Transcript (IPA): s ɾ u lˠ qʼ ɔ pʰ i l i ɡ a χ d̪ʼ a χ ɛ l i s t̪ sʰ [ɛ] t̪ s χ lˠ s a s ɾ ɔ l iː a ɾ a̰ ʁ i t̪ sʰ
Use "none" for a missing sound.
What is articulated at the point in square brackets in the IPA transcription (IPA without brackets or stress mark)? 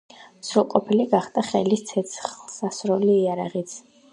ɛ